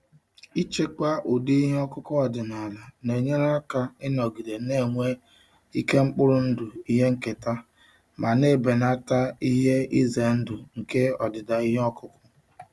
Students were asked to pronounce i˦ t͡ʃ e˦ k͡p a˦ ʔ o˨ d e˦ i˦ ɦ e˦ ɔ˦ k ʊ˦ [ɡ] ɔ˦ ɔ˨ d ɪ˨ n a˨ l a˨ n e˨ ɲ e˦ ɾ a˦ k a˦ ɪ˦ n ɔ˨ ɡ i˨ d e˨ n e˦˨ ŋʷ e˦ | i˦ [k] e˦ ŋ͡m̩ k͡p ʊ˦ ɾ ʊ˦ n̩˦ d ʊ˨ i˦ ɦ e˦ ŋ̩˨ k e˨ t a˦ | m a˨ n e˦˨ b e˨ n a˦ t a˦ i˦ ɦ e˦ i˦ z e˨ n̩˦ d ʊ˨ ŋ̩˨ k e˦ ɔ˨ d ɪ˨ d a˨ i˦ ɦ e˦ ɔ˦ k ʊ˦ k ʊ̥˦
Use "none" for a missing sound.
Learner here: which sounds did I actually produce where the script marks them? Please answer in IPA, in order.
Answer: k, k

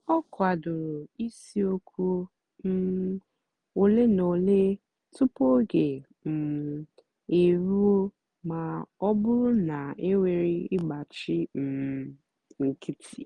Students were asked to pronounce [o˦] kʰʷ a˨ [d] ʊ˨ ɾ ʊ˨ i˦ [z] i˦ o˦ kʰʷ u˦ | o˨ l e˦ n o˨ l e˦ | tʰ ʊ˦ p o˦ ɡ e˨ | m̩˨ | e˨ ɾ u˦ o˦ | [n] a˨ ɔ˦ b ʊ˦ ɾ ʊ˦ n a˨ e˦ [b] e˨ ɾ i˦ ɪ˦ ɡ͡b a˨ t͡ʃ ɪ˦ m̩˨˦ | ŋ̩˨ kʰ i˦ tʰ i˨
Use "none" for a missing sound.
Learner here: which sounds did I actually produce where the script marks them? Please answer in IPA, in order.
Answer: ɔ˦, d, s, m, w

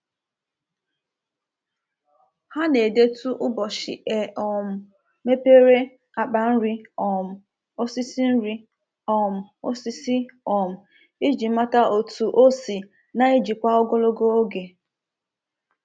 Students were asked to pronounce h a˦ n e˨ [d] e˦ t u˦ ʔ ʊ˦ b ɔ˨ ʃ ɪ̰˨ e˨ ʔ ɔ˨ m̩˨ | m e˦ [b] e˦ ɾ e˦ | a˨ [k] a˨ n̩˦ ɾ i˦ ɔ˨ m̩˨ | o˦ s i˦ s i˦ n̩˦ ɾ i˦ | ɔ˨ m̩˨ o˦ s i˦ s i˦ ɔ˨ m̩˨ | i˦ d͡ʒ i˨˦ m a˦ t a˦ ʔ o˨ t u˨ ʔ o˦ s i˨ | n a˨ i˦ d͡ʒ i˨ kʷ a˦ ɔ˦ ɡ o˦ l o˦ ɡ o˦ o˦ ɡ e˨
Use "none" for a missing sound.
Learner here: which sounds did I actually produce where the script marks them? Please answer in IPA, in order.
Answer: d, p, k͡p

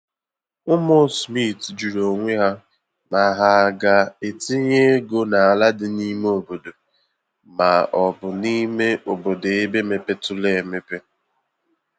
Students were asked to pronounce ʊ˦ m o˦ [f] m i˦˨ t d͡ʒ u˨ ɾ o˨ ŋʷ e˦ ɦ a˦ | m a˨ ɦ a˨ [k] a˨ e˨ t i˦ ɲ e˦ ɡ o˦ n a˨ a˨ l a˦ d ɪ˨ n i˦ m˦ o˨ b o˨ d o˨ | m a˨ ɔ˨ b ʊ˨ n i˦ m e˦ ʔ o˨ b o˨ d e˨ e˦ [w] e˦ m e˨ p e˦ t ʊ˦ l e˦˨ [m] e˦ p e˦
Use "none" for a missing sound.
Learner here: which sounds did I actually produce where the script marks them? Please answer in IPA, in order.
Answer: s, ɡ, b, m

